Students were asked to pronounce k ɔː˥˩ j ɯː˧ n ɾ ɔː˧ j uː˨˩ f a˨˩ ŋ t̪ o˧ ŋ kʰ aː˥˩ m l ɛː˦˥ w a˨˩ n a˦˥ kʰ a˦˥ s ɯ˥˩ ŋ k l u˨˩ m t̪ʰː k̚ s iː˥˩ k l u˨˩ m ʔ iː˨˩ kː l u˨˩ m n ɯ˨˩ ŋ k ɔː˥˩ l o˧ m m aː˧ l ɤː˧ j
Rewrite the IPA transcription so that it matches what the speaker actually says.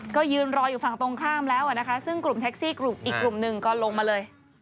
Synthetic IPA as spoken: k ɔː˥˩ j ɯː˧ n ɾ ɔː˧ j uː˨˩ f a˨˩ ŋ t̪ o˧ ŋ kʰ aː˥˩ m l ɛː˦˥ w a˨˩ n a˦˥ kʰ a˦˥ s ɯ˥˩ ŋ k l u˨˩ m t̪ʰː k̚ s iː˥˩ k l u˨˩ m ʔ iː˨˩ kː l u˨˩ m n ɯ˨˩ ŋ k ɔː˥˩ l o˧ ŋ m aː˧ l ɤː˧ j

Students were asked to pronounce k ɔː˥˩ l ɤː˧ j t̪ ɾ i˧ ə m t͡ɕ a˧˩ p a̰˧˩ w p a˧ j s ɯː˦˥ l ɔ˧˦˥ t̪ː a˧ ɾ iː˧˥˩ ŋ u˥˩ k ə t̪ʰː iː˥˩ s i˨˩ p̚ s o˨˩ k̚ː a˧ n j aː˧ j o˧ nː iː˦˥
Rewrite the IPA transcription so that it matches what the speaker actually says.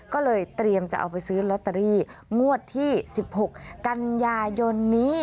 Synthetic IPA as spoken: k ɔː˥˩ l ɤː˧ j t̪ ɾ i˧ ə m t͡ɕ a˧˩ ʔ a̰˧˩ w p a˧ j s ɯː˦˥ l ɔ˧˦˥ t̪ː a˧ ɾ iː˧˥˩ ŋ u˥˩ ə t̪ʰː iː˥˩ s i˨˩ p̚ h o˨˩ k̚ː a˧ n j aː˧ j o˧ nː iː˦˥

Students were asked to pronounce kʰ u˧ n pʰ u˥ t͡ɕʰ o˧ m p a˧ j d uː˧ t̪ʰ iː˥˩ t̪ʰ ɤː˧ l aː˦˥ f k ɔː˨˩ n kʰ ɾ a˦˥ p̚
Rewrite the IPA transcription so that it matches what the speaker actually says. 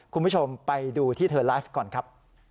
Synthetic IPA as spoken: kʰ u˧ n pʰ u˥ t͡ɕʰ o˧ m p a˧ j d uː˧ t̪ʰ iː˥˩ t̪ʰ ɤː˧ l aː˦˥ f k ɔː˨˩ n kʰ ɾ a˦˥ p̚

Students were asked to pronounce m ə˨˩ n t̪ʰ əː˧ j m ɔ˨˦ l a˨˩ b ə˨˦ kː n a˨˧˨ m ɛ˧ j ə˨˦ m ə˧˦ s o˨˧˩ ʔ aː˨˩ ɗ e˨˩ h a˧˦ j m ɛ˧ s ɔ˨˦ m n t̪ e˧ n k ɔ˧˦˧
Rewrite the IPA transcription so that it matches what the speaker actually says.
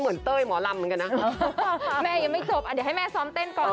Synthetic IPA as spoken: m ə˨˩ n t̪ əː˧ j m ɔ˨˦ l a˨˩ m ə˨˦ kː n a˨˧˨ m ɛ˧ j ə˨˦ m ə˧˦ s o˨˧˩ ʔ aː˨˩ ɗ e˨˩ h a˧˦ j m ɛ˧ s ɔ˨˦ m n t̪ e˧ n k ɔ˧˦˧

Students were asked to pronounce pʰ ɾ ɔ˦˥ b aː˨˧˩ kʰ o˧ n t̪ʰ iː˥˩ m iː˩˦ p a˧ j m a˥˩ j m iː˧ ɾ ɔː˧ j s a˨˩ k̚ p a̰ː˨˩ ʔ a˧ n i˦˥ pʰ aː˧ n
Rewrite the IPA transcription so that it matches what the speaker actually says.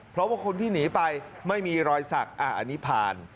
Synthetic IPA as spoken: pʰ ɾ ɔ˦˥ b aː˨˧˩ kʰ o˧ n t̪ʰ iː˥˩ n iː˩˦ p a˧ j m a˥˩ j m iː˧ ɾ ɔː˧ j s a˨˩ k̚ ʔ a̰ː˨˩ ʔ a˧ n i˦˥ pʰ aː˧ n

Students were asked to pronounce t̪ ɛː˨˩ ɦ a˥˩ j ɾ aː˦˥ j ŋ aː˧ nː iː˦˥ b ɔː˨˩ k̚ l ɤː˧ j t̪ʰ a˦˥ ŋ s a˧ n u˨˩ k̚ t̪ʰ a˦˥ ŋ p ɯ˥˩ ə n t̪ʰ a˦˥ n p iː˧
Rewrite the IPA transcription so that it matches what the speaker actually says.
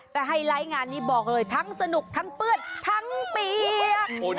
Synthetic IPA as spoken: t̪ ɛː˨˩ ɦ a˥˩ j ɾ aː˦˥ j ŋ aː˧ nː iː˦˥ b ɔː˨˩ k̚ l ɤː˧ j t̪ʰ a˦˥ ŋ s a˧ n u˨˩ k̚ t̪ʰ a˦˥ ŋ p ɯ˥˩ ə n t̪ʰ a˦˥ ŋ p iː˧

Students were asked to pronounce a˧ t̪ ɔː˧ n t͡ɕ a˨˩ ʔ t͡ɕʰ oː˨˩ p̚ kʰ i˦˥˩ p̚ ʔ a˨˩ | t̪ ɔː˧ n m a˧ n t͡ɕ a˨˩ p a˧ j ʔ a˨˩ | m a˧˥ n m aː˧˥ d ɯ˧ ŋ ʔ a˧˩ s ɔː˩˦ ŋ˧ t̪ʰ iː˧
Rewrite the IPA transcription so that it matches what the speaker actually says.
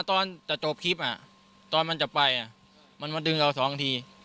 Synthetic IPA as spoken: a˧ t̪ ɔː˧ n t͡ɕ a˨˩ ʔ t͡ɕ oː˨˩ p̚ kʰ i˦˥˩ p̚ ʔ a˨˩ | t̪ ɔː˧ n m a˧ n t͡ɕ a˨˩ p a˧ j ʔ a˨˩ | m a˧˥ n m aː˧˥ d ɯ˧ ŋ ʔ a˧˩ s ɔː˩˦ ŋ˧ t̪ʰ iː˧

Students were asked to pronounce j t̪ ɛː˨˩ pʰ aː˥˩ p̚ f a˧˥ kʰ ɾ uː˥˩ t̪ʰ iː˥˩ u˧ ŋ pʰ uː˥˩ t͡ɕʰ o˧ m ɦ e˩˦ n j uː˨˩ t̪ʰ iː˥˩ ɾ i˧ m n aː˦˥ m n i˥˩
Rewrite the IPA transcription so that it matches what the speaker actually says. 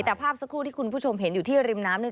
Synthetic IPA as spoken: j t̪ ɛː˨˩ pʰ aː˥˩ p̚ s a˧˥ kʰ ɾ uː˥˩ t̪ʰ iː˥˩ u˧ n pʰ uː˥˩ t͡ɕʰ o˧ m ɦ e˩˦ n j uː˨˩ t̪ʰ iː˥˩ ɾ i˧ m n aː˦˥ m n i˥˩

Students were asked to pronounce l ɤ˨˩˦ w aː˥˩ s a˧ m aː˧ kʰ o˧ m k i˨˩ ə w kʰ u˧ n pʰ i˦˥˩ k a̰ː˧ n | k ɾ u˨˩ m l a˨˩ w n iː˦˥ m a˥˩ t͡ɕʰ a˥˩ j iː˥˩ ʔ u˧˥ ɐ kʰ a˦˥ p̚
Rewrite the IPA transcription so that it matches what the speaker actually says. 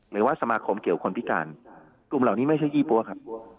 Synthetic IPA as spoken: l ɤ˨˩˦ w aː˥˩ s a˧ m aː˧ kʰ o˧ m k i˨˩ ə w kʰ o˧ n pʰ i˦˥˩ k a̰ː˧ n | k l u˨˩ m l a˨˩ w n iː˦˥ m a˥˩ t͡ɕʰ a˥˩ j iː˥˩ p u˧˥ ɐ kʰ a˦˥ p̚

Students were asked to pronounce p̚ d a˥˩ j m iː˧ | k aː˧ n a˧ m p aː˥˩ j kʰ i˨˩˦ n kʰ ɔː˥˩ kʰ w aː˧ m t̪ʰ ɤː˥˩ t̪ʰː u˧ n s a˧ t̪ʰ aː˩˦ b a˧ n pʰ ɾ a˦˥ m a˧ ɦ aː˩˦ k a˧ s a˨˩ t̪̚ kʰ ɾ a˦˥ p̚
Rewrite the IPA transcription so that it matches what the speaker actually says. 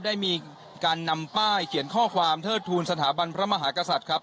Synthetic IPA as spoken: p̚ d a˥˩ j m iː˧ | k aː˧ nː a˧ m p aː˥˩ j kʰ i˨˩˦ n kʰ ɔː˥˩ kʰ w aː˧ m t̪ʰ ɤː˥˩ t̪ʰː uː˧ n s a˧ t̪ʰ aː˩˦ b a˧ n pʰ ɾ a˦˥ m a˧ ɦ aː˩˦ k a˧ s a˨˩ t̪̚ kʰ ɾ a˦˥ p̚

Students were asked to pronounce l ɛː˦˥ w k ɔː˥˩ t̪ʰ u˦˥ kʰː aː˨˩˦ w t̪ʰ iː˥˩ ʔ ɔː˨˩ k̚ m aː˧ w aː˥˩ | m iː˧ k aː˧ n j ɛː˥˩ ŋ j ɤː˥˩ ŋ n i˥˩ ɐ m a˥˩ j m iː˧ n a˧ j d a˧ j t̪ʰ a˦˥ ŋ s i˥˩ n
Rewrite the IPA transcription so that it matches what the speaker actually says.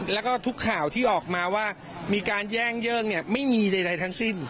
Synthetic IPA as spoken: l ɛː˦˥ w k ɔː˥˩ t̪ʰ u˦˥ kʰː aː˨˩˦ w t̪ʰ iː˥˩ ʔ ɔː˨˩ k̚ m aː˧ w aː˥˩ | m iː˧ k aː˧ n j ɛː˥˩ ŋ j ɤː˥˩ ŋ n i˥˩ ɐ m a˥˩ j m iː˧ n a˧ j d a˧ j t̪ʰ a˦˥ ŋ s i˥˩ n

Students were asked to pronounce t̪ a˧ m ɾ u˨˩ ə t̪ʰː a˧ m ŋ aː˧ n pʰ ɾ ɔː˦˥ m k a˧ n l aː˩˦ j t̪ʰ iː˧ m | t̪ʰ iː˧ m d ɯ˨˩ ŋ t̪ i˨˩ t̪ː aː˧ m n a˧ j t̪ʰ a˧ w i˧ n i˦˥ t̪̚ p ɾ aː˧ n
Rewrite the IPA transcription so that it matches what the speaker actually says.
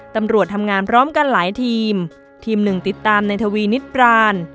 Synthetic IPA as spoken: t̪ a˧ m ɾ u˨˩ ə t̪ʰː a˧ m ŋ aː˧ n pʰ ɾ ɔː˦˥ m k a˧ n l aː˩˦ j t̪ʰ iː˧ m | t̪ʰ iː˧ m n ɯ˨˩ ŋ t̪ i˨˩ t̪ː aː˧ m n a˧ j t̪ʰ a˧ w iː˧ n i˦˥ t̪̚ p ɾ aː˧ n

